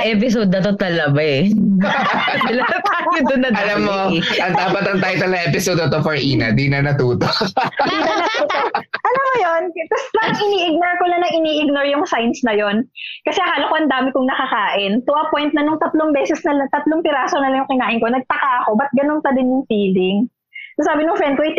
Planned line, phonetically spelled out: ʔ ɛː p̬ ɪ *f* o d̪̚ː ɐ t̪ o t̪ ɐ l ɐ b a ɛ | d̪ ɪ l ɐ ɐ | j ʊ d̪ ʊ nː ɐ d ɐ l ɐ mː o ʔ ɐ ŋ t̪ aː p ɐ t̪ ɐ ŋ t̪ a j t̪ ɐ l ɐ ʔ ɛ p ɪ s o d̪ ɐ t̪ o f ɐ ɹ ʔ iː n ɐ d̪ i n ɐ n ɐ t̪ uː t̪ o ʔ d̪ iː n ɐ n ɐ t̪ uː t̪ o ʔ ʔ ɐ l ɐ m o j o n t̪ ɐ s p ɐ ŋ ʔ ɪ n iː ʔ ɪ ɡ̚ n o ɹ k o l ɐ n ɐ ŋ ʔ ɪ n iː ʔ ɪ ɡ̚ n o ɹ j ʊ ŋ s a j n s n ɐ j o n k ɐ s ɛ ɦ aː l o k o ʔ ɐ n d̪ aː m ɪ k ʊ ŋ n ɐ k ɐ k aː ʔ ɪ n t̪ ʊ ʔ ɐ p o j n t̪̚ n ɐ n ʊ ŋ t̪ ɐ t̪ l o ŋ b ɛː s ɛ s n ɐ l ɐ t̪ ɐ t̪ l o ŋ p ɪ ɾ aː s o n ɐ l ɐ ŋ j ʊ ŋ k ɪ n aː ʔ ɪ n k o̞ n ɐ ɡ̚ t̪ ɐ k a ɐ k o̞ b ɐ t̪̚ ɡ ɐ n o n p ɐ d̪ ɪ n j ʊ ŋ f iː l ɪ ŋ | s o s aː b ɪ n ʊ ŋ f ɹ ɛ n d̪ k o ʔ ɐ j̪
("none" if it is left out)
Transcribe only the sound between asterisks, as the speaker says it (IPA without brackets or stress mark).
s